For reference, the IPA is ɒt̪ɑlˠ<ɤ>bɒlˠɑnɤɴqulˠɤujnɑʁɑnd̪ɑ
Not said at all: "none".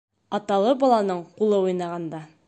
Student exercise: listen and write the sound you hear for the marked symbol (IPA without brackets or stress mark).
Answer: ɤ